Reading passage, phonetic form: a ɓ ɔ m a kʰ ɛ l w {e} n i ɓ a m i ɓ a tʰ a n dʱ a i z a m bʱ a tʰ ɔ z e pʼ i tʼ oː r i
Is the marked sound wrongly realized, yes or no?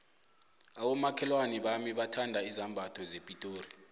yes